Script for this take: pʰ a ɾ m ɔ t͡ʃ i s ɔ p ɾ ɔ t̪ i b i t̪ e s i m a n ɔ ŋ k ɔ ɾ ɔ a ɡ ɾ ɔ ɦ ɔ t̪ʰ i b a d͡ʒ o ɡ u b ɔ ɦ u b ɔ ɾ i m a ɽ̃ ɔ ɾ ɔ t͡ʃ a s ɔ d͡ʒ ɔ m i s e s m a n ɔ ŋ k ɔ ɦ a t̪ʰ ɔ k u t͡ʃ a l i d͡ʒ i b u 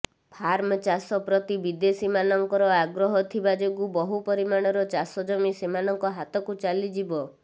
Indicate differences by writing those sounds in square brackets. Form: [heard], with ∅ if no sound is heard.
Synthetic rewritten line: pʰ a ɾ m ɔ t͡ʃ [a] s ɔ p ɾ ɔ t̪ i b i [d̪] e s i m a n ɔ ŋ k ɔ ɾ ɔ a ɡ ɾ ɔ ɦ ɔ t̪ʰ i b a d͡ʒ o ɡ u b ɔ ɦ u [p] ɔ ɾ i m a ɽ̃ ɔ ɾ ɔ t͡ʃ a s ɔ d͡ʒ ɔ m i s e [∅] m a n ɔ ŋ k ɔ ɦ a [t̪] ɔ k u t͡ʃ a l i d͡ʒ i b [ɔ]